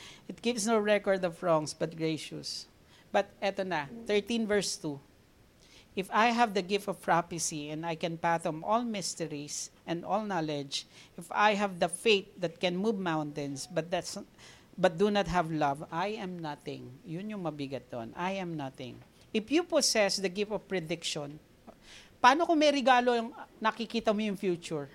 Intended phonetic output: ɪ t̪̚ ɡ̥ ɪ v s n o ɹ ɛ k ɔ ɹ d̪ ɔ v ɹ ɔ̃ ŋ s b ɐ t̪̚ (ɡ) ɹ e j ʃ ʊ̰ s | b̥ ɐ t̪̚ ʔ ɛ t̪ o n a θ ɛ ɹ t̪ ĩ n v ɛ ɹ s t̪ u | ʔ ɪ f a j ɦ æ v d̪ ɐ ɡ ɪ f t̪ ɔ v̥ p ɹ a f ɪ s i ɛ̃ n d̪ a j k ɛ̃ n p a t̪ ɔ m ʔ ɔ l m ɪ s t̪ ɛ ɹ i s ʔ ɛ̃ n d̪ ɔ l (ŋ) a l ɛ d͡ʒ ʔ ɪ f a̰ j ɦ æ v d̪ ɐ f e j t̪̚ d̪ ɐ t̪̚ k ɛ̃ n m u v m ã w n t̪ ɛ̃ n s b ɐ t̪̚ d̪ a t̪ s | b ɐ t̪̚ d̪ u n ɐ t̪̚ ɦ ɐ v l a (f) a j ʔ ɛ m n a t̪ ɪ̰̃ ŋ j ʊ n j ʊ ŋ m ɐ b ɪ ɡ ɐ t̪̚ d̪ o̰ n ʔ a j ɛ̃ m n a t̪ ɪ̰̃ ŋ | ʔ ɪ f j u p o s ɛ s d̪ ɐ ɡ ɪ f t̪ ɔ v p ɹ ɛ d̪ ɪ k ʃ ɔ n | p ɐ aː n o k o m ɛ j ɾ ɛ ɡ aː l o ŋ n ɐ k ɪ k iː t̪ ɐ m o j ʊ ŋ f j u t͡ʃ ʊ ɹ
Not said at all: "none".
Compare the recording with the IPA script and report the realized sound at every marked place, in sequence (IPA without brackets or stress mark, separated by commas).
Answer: ɡ, n, v